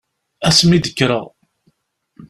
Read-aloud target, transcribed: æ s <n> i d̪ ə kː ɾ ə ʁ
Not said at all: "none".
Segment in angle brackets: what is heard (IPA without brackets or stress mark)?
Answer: m